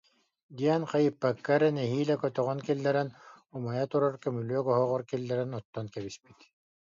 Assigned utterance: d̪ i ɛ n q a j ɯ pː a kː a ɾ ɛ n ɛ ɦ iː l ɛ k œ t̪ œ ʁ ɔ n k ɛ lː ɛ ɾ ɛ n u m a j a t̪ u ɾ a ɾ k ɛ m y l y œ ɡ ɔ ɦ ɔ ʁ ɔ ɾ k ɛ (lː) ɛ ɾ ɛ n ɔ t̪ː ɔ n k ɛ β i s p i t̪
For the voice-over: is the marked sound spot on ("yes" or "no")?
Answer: yes